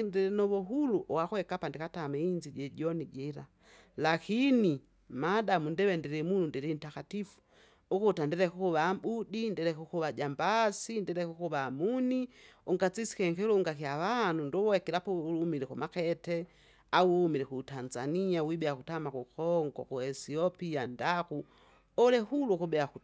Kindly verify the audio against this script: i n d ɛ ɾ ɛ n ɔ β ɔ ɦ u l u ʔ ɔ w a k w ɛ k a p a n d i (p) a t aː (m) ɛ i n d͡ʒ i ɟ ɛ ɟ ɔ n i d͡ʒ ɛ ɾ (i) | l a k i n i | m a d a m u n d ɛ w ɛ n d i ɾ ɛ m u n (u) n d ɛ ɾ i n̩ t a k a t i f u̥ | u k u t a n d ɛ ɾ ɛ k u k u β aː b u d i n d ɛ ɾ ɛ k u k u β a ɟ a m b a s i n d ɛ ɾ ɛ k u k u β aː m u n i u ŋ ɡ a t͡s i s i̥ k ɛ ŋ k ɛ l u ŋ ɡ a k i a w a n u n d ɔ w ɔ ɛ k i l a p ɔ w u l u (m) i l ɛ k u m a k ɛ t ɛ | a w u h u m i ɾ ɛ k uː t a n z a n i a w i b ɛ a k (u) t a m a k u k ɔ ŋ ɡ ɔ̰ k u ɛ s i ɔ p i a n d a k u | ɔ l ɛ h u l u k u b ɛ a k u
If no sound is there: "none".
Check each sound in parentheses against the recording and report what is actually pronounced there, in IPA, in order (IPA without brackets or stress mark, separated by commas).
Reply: k, m, a, u, m, u